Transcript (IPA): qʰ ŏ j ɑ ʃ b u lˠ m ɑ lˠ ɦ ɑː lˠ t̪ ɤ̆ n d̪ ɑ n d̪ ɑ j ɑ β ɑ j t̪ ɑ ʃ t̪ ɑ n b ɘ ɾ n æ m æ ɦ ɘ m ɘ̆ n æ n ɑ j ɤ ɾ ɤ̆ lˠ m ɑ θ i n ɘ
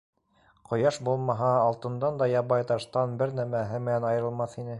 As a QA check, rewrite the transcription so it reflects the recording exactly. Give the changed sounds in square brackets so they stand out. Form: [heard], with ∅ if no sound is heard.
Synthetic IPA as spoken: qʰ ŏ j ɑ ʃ b u lˠ m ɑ [∅] ɦ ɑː lˠ t̪ ɤ̆ n d̪ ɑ n d̪ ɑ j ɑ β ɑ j t̪ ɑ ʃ t̪ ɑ n b ɘ ɾ n æ m æ ɦ ɘ m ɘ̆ n æ n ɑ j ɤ ɾ ɤ̆ lˠ m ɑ θ i n ɘ